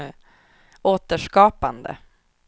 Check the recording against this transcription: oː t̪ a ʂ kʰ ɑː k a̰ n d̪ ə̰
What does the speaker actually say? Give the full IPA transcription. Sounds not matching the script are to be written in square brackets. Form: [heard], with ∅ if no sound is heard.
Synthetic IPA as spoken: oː t̪ [ə] ʂ [k] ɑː [p] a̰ n d̪ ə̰